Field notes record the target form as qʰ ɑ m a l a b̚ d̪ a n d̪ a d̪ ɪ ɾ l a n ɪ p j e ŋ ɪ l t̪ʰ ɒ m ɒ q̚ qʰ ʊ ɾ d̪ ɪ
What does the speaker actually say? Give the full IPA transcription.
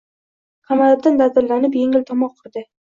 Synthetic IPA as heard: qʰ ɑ m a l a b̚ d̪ a n d̪ a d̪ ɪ ɾ l a n ɪ p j e ŋ ɪ l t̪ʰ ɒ m ɒ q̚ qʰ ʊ ɾ d̪ ɪ

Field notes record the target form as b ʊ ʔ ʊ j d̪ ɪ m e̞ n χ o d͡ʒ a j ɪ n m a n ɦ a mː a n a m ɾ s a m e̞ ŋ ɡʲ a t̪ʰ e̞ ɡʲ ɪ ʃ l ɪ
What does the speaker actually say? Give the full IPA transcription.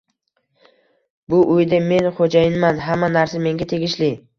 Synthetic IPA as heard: b ʊ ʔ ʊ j d̪ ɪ m e̞ n χ o d͡ʒ a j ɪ n m a n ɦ a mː a n a ɾ s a m e̞ ŋ ɡʲ a t̪ʰ e̞ ɡʲ ɪ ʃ l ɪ

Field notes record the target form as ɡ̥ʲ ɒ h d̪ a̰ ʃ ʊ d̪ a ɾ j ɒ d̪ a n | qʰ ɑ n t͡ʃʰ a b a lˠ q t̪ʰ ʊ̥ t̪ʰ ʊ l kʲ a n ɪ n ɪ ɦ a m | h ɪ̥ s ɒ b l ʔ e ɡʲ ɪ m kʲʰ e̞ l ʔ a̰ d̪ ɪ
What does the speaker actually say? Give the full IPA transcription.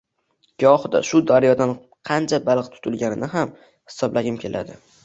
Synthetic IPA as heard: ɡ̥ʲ ɒ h d̪ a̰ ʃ ʊ d̪ a ɾ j ɒ d̪ a n | qʰ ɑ n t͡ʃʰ a b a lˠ q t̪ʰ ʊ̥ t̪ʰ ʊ l ɡʲ a n ɪ n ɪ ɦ a m | h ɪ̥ s ɒ b l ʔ a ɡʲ ɪ m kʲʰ e̞ l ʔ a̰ d̪ ɪ

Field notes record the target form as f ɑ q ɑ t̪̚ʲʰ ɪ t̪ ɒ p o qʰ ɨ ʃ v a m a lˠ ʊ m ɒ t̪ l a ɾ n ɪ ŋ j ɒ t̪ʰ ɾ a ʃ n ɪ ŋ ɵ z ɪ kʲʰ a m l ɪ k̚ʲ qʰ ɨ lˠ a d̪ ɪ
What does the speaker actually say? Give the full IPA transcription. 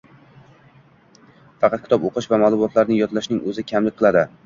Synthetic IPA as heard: f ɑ q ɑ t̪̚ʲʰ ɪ t̪ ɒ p o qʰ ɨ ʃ v a m a lˠ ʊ m ɒ t̪ l a ɾ n ɪ ŋ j ɒ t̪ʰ l a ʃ n ɪ ŋ ɵ z ɪ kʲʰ a m l ɪ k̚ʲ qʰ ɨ lˠ a d̪ ɪ

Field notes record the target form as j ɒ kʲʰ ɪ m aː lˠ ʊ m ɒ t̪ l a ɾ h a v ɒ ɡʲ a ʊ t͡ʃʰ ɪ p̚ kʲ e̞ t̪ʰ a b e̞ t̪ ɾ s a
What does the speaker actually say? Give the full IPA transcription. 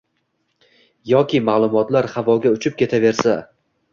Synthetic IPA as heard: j ɒ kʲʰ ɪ m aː lˠ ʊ m ɒ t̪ l a ɾ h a v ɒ ɡʲ a ʊ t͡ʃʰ ɪ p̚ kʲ e̞ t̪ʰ a v e̞ ɾ s a

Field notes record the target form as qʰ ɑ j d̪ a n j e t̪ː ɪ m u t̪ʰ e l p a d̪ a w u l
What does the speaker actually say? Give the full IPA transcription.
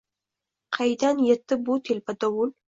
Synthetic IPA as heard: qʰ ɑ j d̪ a n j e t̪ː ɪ b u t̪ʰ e l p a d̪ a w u l

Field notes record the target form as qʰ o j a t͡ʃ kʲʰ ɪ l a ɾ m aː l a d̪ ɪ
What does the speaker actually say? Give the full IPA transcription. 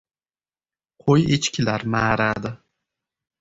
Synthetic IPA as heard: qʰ o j e t͡ʃ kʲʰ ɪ l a ɾ m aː ɾ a d̪ ɪ

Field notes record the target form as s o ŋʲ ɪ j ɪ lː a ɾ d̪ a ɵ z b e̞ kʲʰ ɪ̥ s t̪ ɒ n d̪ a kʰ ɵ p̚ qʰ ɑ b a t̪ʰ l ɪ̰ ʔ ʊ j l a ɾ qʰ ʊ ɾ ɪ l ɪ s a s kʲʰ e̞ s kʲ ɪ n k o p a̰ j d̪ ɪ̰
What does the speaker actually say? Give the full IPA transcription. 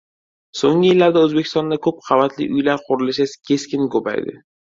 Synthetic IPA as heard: s o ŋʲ ɪ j ɪ lː a ɾ d̪ a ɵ z b e̞ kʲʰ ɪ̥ s t̪ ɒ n d̪ a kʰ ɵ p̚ qʰ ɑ v a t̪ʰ l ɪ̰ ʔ ʊ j l a ɾ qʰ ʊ ɾ ɪ l ɪ ʃ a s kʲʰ e̞ s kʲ ɪ n k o p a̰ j d̪ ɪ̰

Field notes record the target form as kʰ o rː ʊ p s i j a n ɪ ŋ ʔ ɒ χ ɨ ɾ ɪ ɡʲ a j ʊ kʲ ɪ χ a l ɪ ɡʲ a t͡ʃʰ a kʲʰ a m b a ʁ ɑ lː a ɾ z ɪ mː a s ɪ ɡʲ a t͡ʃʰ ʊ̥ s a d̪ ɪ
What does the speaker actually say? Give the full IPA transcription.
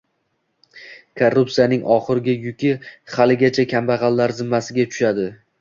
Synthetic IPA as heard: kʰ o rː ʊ p s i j a n ɪ ŋ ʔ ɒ χ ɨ ɾ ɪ ɡʲ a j ʊ kʲ ɪ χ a l ɪ ɡʲ a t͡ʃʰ a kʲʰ a m b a ʁ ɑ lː a ɾ z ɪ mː a s ɪ ɡʲ a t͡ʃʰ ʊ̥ ʃ a d̪ ɪ

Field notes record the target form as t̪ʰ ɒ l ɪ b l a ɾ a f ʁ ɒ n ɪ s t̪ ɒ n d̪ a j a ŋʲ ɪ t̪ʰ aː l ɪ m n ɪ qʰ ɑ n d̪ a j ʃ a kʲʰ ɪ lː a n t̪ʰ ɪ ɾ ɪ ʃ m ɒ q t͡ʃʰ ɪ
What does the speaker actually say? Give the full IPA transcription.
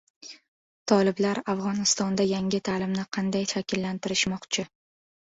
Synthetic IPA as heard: t̪ʰ ɒ l ɪ b l a ɾ a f ʁ ɒ n ɪ s t̪ ɒ n d̪ a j a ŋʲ ɪ t̪ʰ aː l ɪ m n ɪ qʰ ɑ n d̪ a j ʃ a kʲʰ ɪ lː a n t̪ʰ ɪ ɾ ɪ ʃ m ɒ q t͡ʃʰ ɪ

